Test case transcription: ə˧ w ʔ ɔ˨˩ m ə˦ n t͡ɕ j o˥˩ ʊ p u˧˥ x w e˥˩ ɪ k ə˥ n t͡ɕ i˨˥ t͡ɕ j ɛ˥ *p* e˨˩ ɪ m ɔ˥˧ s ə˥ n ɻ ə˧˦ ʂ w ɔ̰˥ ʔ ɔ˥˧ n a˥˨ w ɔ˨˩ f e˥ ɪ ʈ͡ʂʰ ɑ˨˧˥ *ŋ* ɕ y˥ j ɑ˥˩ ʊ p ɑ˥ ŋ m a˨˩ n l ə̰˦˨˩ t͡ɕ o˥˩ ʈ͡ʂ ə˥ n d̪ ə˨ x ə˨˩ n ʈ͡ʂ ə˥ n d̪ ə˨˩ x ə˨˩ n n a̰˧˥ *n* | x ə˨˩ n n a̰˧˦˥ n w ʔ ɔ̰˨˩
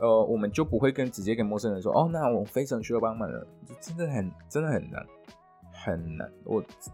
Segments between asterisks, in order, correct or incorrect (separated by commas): incorrect, correct, correct